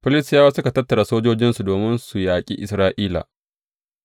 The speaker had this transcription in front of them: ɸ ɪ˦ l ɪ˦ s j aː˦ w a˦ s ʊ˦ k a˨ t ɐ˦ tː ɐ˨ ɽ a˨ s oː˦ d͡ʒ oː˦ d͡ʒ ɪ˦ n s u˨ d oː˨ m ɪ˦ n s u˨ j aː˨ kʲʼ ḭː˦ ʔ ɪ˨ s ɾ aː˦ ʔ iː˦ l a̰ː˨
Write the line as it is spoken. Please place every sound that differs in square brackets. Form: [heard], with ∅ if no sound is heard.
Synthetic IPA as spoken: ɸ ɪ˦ l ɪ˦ s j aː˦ w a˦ s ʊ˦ k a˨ t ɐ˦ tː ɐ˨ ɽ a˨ s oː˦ d͡ʒ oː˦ d͡ʒ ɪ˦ n s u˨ d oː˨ m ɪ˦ n s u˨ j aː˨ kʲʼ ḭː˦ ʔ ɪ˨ s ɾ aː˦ ʔ iː˦ l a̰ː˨